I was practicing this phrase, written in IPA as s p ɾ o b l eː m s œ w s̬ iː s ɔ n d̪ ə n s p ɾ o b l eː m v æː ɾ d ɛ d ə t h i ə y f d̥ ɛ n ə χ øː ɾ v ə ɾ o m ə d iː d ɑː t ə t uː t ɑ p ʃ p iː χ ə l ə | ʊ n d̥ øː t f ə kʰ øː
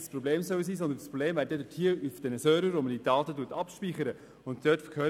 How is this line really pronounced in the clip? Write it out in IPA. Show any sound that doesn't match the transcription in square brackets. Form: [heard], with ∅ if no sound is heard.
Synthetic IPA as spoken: s p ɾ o b l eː m s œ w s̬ iː s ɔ n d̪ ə n s p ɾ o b l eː m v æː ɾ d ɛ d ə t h i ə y f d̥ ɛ n ə [s] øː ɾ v ə ɾ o m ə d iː d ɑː t ə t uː t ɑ p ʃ p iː χ ə [ɾ] ə | ʊ n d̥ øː t f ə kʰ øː